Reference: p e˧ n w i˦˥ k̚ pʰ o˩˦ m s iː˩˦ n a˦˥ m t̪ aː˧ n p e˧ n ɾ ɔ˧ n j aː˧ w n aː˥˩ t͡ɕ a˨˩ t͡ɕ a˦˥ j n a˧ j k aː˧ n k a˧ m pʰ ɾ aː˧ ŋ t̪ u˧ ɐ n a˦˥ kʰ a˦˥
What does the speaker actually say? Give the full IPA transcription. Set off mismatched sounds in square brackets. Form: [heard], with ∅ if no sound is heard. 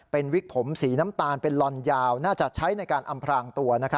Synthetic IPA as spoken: p e˧ n w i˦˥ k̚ pʰ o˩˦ m s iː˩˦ n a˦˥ m t̪ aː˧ n p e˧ n [l] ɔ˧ n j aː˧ w n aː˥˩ t͡ɕ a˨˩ [t͡ɕʰ] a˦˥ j n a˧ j k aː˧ n [ʔ] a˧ m pʰ ɾ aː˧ ŋ t̪ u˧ ɐ n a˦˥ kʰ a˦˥

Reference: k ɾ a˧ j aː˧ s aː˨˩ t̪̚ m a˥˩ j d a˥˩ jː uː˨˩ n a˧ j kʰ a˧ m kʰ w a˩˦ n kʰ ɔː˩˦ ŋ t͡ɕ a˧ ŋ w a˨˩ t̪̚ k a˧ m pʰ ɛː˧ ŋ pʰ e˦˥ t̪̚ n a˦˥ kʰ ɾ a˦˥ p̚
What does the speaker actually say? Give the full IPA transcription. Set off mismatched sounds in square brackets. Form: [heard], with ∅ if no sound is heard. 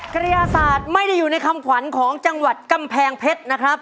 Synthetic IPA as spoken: k ɾ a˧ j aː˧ s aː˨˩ t̪̚ m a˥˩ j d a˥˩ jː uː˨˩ n a˧ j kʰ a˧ m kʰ w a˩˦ n kʰ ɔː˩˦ ŋ t͡ɕ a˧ ŋ w a˨˩ t̪̚ k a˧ m pʰ ɛː˧ ŋ pʰ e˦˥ t̪̚ n a˦˥ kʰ ɾ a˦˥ p̚

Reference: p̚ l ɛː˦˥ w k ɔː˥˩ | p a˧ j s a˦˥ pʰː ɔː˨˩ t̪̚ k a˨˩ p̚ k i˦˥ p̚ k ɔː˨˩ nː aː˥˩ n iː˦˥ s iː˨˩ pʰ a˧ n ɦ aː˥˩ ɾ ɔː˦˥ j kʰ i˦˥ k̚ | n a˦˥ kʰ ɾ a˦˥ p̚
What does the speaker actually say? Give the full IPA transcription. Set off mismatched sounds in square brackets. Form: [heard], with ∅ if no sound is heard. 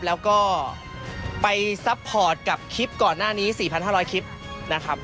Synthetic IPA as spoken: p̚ l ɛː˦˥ w k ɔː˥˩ | p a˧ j s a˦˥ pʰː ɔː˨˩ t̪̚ k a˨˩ p̚ [kʰ] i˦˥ p̚ k ɔː˨˩ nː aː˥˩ n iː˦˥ s iː˨˩ pʰ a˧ n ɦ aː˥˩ ɾ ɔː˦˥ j kʰ i˦˥ [p̚] | n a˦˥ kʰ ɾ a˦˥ p̚

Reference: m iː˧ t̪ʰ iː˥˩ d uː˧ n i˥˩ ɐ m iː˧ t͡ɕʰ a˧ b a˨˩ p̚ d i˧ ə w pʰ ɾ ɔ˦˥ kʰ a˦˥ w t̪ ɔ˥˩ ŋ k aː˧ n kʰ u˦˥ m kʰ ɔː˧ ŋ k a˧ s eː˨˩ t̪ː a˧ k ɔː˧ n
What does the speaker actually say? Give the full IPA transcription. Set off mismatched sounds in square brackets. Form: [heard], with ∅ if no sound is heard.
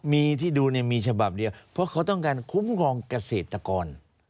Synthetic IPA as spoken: m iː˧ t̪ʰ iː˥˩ d uː˧ n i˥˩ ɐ m iː˧ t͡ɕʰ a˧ b a˨˩ p̚ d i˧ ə w pʰ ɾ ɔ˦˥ kʰ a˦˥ w t̪ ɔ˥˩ ŋ k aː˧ n kʰ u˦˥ m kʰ ɔː˧ ŋ k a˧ s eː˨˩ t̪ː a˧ k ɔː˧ n

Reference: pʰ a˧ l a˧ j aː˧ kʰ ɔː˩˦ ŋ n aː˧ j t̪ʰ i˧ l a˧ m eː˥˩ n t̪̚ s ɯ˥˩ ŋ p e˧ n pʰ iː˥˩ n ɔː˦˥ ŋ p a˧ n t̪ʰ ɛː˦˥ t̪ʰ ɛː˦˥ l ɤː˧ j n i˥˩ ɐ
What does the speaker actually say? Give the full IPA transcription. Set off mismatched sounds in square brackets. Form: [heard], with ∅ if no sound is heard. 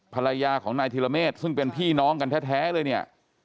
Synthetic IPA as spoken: pʰ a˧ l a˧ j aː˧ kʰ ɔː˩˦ ŋ n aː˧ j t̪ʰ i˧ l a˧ m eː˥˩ [∅] t̪̚ s ɯ˥˩ ŋ p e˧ n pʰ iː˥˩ n ɔː˦˥ ŋ [k] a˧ n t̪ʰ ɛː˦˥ t̪ʰ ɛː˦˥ l ɤː˧ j n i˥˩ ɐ

